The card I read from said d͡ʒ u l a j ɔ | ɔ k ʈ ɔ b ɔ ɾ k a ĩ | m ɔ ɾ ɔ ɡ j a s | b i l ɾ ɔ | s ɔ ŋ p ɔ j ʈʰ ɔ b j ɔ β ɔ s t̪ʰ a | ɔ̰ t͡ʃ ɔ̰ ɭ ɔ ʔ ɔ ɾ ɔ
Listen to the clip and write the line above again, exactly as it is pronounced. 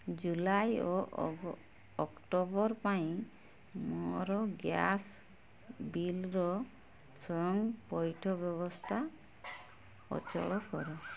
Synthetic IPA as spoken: d͡ʒ u l a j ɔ | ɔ k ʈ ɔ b ɔ ɾ p a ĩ | m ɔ ɾ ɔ ɡ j a s | b i l ɾ ɔ | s ɔ ŋ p ɔ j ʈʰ ɔ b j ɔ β ɔ s t̪ʰ a | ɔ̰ t͡ʃ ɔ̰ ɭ ɔ k ɔ ɾ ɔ